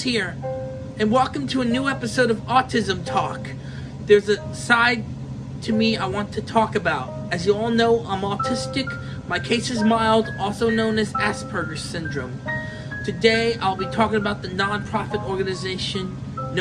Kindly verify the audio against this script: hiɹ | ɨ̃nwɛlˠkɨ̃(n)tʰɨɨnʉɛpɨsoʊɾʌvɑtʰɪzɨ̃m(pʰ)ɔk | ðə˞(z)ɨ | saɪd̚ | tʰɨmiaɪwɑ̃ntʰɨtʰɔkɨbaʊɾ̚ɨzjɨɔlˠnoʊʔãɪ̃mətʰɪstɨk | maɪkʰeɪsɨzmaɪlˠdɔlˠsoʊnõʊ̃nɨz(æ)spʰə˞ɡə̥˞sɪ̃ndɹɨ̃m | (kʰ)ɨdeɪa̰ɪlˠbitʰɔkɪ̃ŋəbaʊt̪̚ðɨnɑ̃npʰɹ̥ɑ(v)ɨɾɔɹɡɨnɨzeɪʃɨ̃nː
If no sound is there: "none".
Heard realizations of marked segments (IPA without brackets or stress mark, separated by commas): m, tʰ, z, æ, tʰ, f